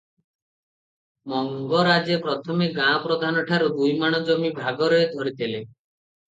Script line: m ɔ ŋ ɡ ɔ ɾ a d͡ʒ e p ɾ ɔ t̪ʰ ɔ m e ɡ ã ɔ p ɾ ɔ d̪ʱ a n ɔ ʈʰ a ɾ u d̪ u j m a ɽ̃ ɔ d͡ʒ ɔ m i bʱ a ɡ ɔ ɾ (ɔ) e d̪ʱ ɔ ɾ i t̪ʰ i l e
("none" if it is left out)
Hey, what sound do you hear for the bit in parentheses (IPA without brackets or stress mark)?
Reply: ɔ